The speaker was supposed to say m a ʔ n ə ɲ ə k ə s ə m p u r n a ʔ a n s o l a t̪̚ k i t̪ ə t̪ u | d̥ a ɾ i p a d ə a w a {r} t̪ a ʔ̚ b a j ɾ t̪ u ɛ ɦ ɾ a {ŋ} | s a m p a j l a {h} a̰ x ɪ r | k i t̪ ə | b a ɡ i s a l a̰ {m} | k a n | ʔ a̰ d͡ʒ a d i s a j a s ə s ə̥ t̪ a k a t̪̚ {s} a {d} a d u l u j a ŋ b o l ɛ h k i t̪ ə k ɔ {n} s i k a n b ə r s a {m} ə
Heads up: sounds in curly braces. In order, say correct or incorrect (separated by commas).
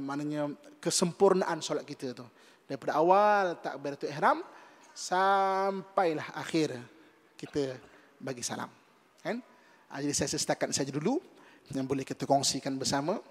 incorrect, incorrect, correct, correct, correct, incorrect, incorrect, correct